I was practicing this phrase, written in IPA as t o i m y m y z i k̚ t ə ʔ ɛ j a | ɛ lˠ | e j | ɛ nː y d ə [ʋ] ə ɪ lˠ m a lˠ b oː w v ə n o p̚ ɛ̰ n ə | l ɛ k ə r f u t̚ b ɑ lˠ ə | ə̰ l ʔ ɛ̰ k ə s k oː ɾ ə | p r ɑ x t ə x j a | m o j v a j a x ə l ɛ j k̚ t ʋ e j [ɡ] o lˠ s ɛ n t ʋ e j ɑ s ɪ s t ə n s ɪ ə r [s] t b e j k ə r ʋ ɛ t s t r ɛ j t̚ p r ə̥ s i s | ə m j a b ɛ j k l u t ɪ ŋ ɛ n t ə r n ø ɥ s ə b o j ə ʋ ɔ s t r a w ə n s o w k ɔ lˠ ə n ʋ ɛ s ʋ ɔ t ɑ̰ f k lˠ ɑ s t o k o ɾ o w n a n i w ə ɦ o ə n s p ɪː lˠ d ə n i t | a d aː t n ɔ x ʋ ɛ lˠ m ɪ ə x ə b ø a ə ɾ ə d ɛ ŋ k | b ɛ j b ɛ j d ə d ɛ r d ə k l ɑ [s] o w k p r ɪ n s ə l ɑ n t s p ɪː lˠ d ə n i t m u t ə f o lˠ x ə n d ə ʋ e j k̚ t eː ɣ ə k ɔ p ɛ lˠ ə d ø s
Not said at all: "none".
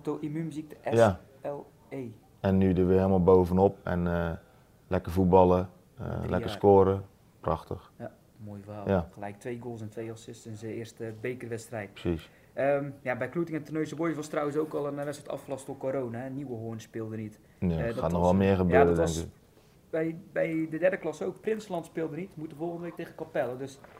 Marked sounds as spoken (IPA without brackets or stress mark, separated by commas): ʋ, ɡ, s, s